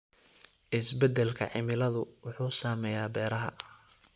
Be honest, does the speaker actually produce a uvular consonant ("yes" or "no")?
no